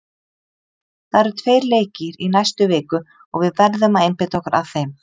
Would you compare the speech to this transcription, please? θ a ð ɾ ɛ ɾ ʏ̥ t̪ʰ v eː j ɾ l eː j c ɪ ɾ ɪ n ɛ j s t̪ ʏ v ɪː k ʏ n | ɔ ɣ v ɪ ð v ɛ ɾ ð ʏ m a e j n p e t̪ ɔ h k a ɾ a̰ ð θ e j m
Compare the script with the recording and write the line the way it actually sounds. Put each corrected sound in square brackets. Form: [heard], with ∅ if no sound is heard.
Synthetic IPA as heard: θ a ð ɾ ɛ ɾ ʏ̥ t̪ʰ v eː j ɾ l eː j c ɪ ɾ [i] n [a] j s t̪ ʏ v ɪː k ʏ [∅] | ɔ ɣ v ɪ ð v ɛ ɾ ð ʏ m a e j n p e t̪ ɔ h k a ɾ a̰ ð θ e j m